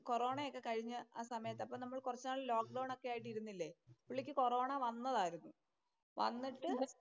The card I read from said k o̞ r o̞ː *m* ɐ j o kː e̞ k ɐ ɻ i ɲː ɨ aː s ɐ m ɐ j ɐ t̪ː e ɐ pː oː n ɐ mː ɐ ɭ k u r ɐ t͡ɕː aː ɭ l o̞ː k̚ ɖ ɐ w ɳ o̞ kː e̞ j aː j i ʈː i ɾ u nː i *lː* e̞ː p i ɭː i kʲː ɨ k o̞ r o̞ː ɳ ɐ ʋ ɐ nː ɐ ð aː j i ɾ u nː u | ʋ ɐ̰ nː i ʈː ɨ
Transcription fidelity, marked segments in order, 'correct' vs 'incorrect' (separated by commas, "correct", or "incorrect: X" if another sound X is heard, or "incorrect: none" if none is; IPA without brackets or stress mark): incorrect: ɳ, correct